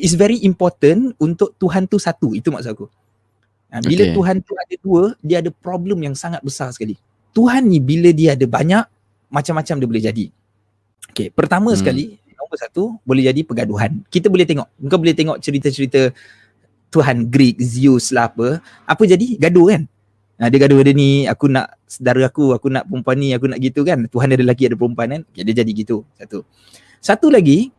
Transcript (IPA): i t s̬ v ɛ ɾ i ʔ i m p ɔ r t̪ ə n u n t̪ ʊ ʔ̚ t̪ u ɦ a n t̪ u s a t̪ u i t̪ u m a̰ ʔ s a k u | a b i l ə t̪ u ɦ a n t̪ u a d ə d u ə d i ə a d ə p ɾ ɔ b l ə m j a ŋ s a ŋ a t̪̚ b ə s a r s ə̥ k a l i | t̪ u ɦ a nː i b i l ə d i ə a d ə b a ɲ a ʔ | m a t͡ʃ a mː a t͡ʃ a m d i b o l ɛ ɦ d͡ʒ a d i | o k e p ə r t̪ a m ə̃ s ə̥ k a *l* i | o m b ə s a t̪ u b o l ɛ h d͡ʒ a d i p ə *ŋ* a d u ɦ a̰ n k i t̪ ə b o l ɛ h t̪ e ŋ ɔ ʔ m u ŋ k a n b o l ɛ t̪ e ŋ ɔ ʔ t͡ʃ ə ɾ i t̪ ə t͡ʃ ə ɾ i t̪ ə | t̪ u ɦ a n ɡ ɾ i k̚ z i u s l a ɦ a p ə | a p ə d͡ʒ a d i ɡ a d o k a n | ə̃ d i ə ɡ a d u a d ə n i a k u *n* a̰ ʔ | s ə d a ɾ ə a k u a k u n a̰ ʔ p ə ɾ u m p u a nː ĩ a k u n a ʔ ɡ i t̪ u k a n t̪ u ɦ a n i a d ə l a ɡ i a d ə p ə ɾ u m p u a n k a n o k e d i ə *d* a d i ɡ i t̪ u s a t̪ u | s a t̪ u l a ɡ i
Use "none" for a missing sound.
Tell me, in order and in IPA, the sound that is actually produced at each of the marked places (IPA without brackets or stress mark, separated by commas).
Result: l, ɡ, n, d͡ʒ